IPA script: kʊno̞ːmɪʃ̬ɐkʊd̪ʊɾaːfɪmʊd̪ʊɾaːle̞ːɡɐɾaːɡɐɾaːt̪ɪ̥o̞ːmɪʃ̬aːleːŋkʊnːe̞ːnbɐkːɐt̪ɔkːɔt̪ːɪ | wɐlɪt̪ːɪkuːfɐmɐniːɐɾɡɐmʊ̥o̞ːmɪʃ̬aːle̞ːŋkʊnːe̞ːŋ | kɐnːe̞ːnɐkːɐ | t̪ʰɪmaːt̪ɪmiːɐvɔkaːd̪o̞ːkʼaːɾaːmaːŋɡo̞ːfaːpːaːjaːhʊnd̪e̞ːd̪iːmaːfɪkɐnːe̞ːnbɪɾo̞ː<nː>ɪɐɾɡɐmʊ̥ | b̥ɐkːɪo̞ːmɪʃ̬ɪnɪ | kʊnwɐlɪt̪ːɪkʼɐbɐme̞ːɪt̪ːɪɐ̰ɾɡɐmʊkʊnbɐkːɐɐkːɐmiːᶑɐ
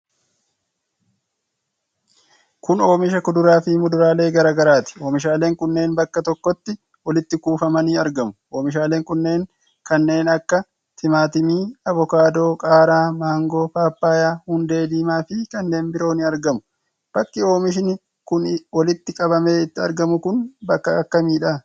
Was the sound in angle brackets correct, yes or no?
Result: no